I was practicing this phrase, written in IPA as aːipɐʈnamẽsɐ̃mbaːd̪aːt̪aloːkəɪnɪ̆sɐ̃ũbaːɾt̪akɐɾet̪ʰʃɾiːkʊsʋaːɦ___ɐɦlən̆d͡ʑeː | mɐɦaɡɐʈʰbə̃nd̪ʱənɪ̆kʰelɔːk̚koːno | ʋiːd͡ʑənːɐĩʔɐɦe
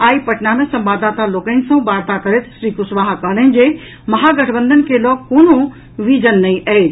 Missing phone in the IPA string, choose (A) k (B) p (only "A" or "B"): A